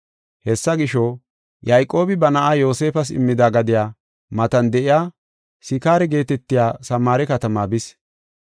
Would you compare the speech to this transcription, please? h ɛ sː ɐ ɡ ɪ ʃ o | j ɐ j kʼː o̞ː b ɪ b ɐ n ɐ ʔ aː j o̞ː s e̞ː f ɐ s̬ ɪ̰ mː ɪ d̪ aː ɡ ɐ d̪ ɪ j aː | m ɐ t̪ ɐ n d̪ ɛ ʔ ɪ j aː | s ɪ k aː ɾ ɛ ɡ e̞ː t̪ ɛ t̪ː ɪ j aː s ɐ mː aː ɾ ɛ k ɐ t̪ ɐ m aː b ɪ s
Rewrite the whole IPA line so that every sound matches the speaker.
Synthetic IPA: h ɛ sː ɐ ɡ ɪ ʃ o | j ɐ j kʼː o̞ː b ɪ b ɐ n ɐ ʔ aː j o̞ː s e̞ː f ɐ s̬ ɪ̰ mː ɪ d̪ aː ɡ ɐ d̪ ɪ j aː | m ɐ t̪ ɐ n d̪ ɛ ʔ ɪ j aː | s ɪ k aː ɾ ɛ ɡ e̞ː t̪ ɛ t̪ː ɪ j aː s ɐ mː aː ɾ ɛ k ɐ t̪ ɐ m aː b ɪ s